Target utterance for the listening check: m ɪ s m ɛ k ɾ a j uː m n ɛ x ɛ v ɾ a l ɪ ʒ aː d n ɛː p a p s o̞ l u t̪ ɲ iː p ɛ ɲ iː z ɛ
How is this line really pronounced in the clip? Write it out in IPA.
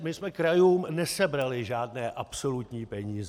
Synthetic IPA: m ɪ s m ɛ k ɾ a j uː m n ɛ s ɛ b ɾ a l ɪ ʒ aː d n ɛː ʔ a p s o̞ l u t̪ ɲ iː p ɛ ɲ iː z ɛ